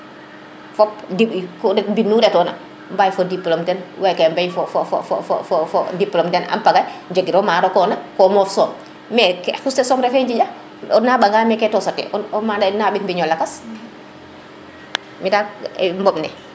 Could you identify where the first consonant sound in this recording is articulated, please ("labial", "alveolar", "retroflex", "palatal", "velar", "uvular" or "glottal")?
labial